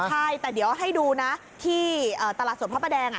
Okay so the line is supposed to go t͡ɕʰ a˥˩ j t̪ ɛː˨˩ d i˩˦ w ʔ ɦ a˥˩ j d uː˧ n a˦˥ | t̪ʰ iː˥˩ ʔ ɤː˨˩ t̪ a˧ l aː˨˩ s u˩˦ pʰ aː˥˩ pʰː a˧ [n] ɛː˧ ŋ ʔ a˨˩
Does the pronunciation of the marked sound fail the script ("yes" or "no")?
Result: yes